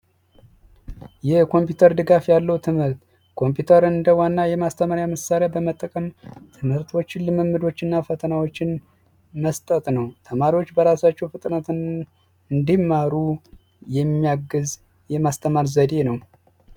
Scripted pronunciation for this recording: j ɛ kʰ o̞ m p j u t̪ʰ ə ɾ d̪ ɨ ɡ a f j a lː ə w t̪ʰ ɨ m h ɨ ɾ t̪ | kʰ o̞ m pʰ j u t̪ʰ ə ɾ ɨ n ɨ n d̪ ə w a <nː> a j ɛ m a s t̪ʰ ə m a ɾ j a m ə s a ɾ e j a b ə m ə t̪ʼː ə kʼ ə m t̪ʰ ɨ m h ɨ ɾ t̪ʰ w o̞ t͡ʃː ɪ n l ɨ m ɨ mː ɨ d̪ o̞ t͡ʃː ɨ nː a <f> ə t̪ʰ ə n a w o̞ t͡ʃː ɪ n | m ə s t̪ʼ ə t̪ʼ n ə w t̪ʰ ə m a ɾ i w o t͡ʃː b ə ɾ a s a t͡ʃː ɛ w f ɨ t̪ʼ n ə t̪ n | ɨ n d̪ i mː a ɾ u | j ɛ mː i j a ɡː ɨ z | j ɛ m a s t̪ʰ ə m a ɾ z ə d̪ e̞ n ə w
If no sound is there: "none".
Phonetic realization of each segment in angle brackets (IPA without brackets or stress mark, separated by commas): nː, f